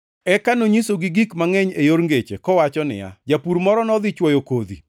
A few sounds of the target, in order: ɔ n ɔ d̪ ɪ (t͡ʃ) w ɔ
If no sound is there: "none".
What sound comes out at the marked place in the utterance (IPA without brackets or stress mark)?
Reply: t͡ʃ